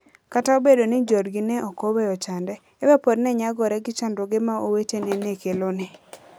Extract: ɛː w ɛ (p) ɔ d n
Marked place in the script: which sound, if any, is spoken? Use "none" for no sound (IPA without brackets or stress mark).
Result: p